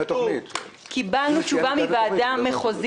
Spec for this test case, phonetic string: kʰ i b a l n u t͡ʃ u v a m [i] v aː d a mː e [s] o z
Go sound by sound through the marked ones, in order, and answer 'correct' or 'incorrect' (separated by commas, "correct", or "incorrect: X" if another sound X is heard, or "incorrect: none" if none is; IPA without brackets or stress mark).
correct, incorrect: χ